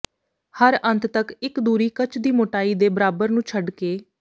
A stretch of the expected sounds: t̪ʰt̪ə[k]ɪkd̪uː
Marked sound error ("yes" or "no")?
no